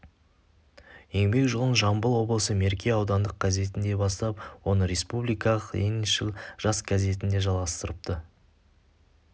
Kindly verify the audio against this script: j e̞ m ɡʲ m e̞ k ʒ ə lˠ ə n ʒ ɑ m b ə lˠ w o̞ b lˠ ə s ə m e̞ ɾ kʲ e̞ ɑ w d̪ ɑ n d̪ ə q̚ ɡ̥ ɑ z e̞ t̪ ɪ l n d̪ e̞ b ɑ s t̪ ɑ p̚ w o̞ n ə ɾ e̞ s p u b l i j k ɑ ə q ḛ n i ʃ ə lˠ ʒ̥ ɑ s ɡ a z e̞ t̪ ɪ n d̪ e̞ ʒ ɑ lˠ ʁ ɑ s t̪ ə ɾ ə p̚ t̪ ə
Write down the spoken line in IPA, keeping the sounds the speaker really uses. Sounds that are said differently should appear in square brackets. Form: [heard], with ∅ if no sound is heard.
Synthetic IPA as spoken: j e̞ [ŋ] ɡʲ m e̞ k ʒ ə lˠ ə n ʒ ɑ m b ə lˠ w o̞ b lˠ ə s ə m e̞ ɾ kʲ e̞ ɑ w d̪ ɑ n d̪ ə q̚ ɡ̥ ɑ z e̞ t̪ ɪ [∅] n d̪ e̞ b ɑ s t̪ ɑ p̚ w o̞ n ə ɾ e̞ s p u b l i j k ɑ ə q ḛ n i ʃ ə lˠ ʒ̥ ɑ s ɡ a z e̞ t̪ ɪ n d̪ e̞ ʒ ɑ lˠ ʁ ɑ s t̪ ə ɾ ə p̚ t̪ ə